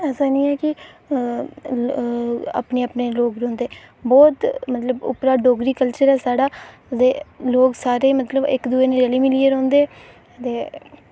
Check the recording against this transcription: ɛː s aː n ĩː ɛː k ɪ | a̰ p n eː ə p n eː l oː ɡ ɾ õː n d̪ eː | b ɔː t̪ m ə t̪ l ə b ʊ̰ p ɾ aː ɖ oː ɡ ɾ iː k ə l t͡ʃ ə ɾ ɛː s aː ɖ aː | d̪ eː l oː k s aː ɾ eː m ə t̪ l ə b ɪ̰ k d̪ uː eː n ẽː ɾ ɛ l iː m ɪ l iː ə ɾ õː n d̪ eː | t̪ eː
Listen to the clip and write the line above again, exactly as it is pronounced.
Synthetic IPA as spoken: ɛː s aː n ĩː ɛː k ɪ | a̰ p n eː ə p n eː l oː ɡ ɾ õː n d̪ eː | b ɔː t̪ m ə t̪ l ə b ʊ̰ p ɾ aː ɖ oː ɡ ɾ iː k ə l t͡ʃ ə ɾ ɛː s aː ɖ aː | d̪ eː l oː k s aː ɾ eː m ə t̪ l ə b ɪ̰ k d̪ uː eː n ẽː ɾ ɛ l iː m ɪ l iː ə ɾ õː n d̪ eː | t̪ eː